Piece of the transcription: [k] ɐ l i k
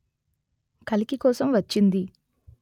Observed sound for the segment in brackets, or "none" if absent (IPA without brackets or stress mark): k